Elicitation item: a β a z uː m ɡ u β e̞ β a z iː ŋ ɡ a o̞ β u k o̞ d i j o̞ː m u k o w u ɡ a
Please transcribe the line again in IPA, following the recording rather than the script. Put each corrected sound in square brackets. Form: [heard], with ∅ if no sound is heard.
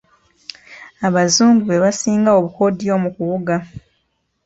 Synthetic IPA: a β a z uː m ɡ u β e̞ β a [s] iː ŋ ɡ a o̞ β u k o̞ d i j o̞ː m u k [u] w u ɡ a